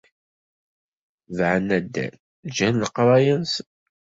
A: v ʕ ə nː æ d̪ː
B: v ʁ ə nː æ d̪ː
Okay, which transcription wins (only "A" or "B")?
A